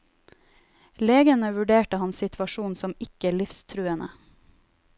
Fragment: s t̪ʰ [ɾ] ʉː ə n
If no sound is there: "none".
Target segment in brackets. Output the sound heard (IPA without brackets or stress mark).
ɾ